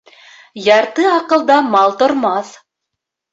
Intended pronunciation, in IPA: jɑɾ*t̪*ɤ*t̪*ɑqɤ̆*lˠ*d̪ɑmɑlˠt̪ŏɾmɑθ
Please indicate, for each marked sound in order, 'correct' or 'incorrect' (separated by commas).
correct, incorrect, correct